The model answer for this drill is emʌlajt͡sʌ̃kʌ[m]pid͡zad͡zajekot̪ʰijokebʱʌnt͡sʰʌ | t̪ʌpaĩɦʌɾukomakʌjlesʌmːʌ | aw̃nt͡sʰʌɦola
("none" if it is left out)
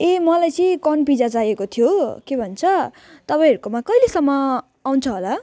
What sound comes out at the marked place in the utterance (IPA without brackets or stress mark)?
n